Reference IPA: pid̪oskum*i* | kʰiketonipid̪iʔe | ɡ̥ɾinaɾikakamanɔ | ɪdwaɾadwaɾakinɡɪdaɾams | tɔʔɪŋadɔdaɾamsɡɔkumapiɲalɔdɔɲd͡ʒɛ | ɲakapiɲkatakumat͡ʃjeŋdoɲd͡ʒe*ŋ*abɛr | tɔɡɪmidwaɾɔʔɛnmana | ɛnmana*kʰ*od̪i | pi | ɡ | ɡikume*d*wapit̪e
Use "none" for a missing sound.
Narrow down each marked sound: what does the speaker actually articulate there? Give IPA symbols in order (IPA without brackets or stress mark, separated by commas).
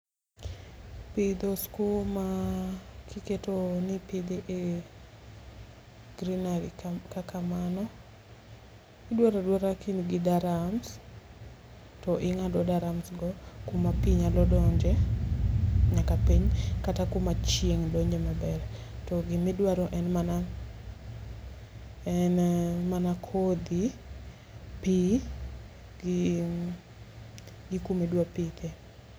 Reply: a, m, kʰ, d